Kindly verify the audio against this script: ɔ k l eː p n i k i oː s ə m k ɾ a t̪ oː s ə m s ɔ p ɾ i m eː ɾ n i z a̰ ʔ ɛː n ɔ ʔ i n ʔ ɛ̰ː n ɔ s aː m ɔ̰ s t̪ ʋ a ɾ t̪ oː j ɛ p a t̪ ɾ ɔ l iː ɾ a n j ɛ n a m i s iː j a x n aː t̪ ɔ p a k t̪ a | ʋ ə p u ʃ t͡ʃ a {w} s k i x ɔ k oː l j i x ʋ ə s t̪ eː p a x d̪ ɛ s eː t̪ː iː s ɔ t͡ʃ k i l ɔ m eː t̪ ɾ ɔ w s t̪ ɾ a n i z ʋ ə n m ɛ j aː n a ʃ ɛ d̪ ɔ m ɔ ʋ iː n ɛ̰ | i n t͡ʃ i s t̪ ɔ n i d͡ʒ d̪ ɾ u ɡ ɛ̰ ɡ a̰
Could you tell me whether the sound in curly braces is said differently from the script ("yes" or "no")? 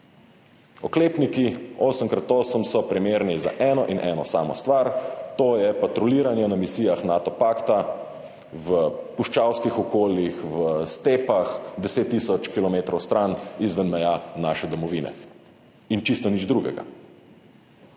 no